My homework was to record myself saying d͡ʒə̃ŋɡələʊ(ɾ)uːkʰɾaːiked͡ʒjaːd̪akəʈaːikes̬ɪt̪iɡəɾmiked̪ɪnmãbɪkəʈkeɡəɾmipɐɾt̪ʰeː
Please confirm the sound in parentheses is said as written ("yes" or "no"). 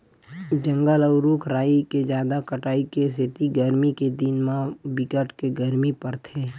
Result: yes